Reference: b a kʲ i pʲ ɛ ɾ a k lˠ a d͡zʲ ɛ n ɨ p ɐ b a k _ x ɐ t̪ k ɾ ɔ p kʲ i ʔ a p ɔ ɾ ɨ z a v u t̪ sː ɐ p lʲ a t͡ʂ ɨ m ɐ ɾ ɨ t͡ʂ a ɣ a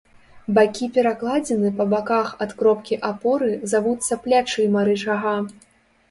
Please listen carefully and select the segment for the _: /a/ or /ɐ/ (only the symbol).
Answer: a